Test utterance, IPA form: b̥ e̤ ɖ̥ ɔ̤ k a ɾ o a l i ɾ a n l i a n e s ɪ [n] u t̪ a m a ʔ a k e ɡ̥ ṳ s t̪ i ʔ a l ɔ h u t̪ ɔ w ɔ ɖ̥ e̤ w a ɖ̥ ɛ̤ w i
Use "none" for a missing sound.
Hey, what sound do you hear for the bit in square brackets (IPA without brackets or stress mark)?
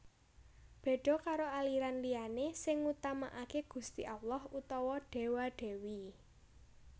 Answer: ŋ